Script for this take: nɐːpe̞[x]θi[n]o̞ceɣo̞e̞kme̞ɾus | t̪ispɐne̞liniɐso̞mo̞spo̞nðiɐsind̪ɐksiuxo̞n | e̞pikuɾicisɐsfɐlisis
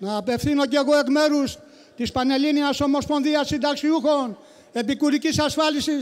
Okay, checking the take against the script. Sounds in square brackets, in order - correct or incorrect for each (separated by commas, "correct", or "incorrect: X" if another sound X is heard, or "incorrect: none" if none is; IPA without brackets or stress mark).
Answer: incorrect: f, correct